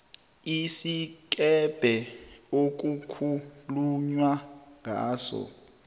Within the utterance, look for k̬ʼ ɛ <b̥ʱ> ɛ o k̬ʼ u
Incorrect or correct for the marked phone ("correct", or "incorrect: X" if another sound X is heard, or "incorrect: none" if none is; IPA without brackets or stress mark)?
correct